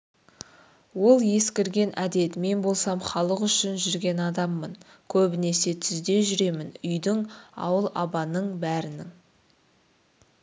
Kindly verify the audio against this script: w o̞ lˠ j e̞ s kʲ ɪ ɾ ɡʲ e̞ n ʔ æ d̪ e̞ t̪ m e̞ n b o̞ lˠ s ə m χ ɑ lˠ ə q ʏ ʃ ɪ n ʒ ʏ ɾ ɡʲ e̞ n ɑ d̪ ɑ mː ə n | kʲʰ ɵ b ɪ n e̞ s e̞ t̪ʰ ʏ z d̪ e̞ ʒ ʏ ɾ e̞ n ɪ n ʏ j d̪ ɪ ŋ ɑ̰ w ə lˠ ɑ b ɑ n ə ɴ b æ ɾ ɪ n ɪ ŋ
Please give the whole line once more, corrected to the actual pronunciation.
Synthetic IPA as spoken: w o̞ lˠ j e̞ s kʲ ɪ ɾ ɡʲ e̞ n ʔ æ d̪ e̞ t̪ m e̞ n b o̞ lˠ s ɑ m χ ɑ lˠ ə q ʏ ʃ ɪ n ʒ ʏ ɾ ɡʲ e̞ n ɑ d̪ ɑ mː ə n | kʲʰ ɵ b ɪ n e̞ s e̞ t̪ʰ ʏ z d̪ e̞ ʒ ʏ ɾ e̞ m ɪ n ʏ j d̪ ɪ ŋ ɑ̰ w ə lˠ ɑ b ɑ n ə ɴ b æ ɾ ɪ n ɪ ŋ